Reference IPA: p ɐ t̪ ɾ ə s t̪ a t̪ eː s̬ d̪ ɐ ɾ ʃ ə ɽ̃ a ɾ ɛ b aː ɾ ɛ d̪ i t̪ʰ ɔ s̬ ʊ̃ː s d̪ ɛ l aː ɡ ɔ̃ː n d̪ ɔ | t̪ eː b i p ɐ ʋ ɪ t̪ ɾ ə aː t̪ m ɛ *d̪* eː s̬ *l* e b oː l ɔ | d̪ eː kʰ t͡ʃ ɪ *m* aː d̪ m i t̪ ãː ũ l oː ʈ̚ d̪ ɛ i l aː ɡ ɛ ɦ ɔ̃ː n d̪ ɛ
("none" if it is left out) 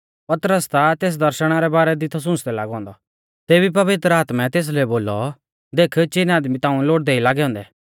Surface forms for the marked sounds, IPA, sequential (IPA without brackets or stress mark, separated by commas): t̪, l, n